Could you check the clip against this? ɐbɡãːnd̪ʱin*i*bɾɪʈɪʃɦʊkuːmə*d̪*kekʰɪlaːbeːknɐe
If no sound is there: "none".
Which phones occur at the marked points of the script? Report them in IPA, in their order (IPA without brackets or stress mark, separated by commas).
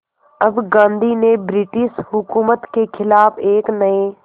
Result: e, t̪